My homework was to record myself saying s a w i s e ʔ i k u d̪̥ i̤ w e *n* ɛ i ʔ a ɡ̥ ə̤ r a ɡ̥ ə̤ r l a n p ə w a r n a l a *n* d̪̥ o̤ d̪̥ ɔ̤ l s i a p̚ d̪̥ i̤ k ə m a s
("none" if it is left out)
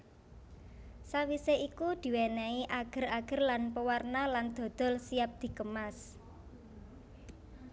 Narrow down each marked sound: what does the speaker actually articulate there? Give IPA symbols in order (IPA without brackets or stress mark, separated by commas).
n, n